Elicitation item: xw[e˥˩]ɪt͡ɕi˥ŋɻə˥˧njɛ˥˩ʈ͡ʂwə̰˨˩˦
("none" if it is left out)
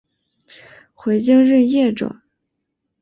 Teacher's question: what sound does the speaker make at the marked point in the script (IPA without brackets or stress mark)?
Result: e˧˥